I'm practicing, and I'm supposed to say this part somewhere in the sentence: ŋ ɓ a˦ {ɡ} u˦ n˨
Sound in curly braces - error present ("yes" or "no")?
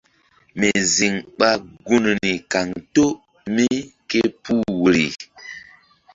no